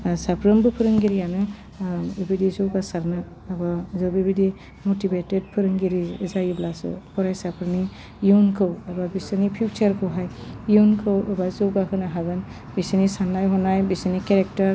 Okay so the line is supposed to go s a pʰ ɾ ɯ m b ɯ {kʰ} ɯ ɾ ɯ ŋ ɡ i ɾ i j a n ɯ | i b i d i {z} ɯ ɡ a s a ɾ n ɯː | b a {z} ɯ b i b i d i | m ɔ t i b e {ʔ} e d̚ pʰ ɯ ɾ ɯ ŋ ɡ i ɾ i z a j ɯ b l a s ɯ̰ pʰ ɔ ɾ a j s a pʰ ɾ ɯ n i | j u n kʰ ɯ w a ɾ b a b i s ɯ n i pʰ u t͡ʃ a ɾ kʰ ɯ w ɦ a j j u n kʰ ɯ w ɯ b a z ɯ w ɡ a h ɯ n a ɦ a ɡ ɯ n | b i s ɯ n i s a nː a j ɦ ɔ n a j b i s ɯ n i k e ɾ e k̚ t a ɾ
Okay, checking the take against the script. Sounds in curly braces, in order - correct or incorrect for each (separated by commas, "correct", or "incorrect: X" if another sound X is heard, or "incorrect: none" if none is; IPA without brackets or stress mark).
incorrect: pʰ, correct, correct, incorrect: t